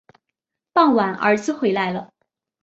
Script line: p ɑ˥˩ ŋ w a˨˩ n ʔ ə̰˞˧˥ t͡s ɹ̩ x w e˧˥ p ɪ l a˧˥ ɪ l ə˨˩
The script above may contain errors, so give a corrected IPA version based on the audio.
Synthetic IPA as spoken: p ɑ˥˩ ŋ w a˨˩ n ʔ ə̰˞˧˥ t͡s ɹ̩ x w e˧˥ ɪ l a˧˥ ɪ l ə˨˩

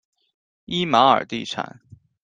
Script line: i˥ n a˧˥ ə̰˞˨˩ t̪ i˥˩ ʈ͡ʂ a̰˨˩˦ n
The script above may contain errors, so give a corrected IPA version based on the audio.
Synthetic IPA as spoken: i˥ m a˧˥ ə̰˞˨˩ t̪ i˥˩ ʈ͡ʂʰ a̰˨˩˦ n

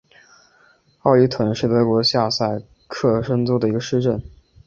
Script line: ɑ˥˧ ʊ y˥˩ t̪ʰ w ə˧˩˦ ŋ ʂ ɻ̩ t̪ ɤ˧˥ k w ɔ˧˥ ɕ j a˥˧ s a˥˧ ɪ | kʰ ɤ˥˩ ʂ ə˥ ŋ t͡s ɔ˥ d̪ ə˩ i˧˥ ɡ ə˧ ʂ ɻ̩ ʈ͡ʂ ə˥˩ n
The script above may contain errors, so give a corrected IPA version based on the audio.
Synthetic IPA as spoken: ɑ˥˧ ʊ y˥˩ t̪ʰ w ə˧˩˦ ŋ ʂ ɻ̩ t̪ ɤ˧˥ k w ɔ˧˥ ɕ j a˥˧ s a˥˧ ɪ | kʰ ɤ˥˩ ʂ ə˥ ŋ t͡s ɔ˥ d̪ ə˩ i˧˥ ɡ ə˧ ʂ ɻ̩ ʈ͡ʂ ə˥˩ n

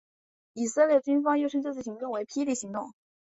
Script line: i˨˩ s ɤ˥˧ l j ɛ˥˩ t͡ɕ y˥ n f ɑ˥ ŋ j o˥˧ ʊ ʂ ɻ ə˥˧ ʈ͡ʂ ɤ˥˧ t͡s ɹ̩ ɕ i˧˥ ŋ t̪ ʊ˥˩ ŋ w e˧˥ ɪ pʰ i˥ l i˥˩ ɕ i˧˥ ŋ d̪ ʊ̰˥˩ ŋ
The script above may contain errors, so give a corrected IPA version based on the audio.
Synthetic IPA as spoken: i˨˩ s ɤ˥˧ l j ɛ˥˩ t͡ɕ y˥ n f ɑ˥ ŋ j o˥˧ ʊ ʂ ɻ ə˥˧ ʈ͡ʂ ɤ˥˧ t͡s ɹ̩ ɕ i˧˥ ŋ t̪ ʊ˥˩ ŋ w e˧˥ ɪ pʰ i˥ l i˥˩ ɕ i˧˥ ŋ t̪ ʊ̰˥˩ ŋ

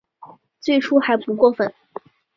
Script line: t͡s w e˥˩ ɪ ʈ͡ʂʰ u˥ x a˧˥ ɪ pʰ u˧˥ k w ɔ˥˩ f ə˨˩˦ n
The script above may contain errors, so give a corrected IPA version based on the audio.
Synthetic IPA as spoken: t͡s w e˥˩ ɪ ʈ͡ʂʰ u˥ x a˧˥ ɪ p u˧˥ k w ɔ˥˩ f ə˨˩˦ n

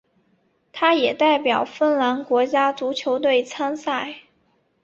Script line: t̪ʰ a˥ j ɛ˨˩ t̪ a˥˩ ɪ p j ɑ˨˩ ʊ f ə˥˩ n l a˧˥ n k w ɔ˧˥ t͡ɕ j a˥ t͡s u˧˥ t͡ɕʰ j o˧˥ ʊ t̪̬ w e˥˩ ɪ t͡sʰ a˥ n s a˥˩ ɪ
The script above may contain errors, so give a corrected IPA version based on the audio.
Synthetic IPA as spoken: t̪ʰ a˥ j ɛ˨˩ t̪ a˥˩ ɪ p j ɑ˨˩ ʊ f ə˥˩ n l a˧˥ n k w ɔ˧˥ t͡ɕ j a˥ t͡s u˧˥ t͡ɕʰ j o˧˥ ʊ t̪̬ w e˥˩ ɪ t͡sʰ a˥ n s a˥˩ ɪ

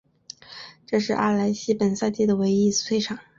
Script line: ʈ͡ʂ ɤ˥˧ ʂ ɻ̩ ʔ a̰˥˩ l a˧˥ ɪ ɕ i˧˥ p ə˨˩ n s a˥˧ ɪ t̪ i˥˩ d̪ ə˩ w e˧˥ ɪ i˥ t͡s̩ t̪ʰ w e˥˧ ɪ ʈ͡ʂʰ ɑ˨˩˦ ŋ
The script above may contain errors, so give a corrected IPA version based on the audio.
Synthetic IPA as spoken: ʈ͡ʂ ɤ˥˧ ʂ ɻ̩ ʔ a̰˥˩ l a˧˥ ɪ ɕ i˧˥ p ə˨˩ n s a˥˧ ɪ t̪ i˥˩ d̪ ə˩ w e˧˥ ɪ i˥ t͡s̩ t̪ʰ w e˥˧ ɪ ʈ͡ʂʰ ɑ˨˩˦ ŋ

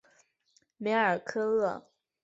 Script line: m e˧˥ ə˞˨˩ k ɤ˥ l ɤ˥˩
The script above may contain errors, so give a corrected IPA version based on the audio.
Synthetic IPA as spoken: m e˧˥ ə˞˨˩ kʰ ɤ˥ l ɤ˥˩

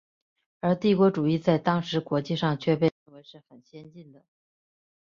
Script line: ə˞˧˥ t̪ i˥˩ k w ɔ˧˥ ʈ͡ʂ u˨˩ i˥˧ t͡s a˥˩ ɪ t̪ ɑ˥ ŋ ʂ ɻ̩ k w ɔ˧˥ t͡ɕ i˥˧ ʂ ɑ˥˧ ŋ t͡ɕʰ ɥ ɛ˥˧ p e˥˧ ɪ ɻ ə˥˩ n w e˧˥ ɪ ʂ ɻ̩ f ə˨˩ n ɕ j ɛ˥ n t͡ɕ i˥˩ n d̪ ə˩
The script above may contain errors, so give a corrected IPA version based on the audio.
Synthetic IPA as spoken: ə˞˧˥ t̪ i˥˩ k w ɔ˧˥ ʈ͡ʂ u˨˩ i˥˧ t͡s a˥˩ ɪ t̪ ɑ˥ ŋ ʂ ɻ̩ k w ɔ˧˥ t͡ɕ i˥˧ ʂ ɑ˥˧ ŋ t͡ɕʰ ɥ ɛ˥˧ p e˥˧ ɪ ɻ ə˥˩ n w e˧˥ ɪ ʂ ɻ̩ x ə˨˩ n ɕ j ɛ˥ n t͡ɕ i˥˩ n d̪ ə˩

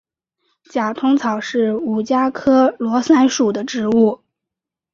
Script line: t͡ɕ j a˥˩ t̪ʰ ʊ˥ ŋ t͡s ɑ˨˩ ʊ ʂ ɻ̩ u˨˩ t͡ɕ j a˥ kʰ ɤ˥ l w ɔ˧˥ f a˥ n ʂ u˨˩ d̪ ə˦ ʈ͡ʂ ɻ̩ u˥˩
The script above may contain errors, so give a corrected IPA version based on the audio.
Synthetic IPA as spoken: t͡ɕ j a˨˩ t̪ʰ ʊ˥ ŋ t͡sʰ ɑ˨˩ ʊ ʂ ɻ̩ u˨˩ t͡ɕ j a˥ kʰ ɤ˥ l w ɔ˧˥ s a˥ n ʂ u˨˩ d̪ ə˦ ʈ͡ʂ ɻ̩ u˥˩

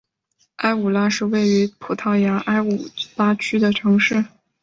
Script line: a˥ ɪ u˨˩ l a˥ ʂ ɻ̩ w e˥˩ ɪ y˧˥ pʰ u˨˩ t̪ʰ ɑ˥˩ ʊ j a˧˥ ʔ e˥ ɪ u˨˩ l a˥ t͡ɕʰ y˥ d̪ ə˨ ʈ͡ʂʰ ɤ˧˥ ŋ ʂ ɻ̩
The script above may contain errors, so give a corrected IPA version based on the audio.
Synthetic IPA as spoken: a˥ ɪ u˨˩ l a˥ ʂ ɻ̩ w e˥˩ ɪ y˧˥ pʰ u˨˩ t̪ʰ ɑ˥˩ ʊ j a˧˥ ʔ a˥ ɪ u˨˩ l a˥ t͡ɕʰ y˥ d̪ ə˨ ʈ͡ʂʰ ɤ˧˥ ŋ ʂ ɻ̩

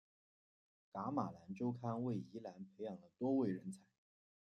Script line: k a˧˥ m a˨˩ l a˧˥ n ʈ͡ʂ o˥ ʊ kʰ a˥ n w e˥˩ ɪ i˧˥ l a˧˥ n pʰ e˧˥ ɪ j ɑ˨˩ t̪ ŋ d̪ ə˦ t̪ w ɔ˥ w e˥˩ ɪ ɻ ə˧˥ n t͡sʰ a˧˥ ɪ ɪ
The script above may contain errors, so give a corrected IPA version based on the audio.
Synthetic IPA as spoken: k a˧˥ m a˨˩ l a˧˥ n ʈ͡ʂ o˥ ʊ kʰ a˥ n w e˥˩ ɪ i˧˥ l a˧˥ n pʰ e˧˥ ɪ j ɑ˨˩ ŋ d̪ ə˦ t̪ w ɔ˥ w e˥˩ ɪ ɻ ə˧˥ n t͡sʰ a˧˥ ɪ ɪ

